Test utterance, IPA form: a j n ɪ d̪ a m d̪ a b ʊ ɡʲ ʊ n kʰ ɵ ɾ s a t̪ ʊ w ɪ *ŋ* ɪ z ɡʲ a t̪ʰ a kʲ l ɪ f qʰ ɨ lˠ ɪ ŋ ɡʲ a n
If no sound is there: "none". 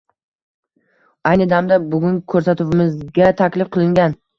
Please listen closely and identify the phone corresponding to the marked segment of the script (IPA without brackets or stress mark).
m